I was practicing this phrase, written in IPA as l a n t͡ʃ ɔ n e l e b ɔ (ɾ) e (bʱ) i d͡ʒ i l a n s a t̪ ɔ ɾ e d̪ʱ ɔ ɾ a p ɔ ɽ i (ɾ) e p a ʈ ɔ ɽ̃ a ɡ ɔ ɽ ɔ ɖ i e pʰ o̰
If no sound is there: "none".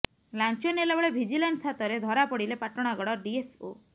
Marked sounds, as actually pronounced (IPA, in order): ɭ, bʱ, l

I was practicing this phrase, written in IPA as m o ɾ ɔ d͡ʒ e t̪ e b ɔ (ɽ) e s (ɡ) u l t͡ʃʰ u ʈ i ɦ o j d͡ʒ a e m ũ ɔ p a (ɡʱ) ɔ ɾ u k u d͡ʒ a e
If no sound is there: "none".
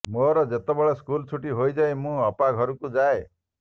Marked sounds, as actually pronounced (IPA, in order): ɭ, k, ɡʱ

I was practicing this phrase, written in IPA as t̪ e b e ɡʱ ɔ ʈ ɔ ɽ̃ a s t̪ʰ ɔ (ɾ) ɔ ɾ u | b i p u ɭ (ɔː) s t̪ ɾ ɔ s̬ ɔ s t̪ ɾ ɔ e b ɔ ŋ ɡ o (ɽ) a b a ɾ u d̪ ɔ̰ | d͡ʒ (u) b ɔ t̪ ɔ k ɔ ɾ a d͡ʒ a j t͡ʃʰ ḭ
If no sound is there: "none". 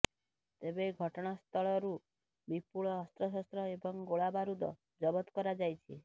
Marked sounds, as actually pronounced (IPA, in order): ɭ, ɔː, ɭ, ɔ

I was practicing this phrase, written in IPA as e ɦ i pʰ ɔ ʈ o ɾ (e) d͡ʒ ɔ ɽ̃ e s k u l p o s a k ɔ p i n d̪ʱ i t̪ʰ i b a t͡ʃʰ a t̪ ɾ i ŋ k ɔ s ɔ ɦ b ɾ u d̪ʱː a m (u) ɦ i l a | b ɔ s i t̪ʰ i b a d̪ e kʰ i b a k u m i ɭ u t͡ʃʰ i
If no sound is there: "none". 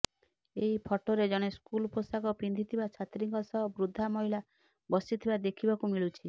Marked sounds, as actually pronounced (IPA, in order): e, ɔ

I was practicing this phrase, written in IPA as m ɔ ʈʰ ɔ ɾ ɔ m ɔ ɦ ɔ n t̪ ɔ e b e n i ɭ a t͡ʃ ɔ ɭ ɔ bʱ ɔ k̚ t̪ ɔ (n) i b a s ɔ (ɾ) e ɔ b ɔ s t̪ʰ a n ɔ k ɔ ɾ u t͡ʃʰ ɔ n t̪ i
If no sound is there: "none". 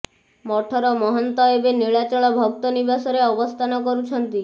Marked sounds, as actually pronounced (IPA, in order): n, ɾ

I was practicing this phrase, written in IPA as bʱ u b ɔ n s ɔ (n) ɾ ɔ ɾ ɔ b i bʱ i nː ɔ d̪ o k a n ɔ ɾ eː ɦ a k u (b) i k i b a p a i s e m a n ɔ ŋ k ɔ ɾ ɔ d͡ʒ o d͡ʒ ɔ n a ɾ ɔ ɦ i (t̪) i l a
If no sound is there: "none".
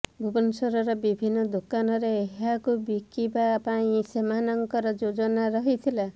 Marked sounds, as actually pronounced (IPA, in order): none, b, t̪ʰ

